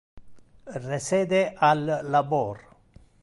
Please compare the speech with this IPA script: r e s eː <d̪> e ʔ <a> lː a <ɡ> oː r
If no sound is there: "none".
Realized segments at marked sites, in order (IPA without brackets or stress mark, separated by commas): d̪, a, b